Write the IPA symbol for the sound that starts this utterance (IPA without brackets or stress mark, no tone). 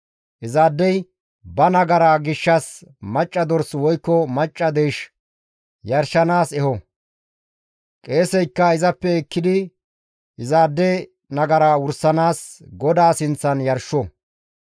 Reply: ʔ